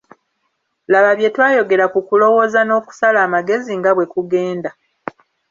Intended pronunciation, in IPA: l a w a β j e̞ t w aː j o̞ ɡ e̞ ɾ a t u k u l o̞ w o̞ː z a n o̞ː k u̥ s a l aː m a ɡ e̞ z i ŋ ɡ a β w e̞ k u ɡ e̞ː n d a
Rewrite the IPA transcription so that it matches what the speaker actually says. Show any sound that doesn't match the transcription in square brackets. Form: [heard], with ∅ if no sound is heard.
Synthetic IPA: l a [β] a β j e̞ t w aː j o̞ ɡ e̞ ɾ a [k] u k u l o̞ w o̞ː z a n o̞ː k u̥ s a l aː m a ɡ e̞ z i ŋ ɡ a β w e̞ k u ɡ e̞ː n d a